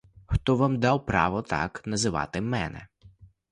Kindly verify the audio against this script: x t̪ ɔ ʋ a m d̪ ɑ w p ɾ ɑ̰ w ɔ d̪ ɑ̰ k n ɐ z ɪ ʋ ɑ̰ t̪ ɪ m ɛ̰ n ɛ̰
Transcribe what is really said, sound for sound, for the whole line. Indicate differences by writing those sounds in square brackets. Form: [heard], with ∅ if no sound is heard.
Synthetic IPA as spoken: x t̪ ɔ ʋ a m d̪ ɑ w p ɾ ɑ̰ [ʋ] ɔ [t̪] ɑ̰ k n ɐ z ɪ ʋ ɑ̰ t̪ ɪ m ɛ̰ n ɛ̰

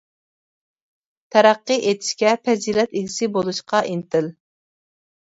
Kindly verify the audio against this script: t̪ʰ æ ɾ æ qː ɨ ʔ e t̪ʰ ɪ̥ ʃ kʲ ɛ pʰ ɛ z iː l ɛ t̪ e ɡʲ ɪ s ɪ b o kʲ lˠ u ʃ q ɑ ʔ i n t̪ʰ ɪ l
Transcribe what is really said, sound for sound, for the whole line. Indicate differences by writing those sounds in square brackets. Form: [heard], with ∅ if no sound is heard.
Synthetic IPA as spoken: t̪ʰ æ ɾ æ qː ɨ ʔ e t̪ʰ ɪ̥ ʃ kʲ ɛ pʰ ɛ z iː l ɛ t̪ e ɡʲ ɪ s ɪ b o [∅] lˠ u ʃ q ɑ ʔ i n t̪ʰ ɪ l

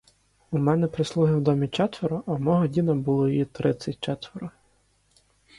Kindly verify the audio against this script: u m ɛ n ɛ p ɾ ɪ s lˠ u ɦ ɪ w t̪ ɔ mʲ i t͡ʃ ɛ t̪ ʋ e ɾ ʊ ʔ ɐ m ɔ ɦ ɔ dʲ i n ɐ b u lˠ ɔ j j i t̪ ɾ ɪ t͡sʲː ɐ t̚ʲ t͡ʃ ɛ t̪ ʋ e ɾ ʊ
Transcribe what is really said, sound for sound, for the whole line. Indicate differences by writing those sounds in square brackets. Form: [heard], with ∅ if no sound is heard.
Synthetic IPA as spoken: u m ɛ n ɛ p ɾ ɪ s lˠ u ɦ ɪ w [d̪] ɔ mʲ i t͡ʃ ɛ t̪ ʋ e ɾ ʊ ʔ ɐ m ɔ ɦ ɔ dʲ i n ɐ b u lˠ ɔ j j i t̪ ɾ ɪ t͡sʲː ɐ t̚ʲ t͡ʃ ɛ t̪ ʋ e ɾ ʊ

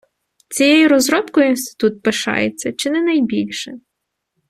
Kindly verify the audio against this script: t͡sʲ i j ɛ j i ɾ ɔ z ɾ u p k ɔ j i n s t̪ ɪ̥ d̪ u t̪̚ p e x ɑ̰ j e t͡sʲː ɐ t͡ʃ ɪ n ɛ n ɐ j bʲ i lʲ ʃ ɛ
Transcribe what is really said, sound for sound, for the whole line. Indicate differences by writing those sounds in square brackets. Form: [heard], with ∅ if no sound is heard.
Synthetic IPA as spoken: t͡sʲ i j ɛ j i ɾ ɔ z ɾ [ɔ] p k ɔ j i n s t̪ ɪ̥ [t̪] u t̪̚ p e [ʃ] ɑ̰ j e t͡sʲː ɐ t͡ʃ ɪ n ɛ n ɐ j bʲ i lʲ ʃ ɛ

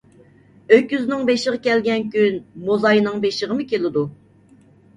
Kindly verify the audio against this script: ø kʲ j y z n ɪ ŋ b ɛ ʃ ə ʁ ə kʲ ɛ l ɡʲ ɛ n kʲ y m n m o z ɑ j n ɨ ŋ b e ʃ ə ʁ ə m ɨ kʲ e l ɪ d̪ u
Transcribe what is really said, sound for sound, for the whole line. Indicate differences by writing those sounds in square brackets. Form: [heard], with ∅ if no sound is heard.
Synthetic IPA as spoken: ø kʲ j y z n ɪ ŋ b [e] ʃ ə ʁ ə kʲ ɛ l ɡʲ ɛ n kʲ y [∅] n m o z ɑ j n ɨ ŋ b e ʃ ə ʁ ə m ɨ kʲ e l ɪ d̪ u

